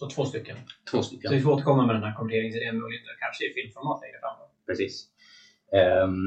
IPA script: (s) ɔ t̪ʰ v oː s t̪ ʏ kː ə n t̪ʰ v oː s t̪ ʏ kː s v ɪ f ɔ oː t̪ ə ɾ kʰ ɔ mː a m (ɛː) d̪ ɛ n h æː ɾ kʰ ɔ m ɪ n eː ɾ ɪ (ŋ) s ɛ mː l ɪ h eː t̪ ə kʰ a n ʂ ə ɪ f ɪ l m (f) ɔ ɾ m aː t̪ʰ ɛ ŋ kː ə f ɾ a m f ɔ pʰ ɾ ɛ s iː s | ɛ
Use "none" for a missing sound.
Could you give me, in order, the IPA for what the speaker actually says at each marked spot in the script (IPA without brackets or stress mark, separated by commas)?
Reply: s, ɛ, ŋ, f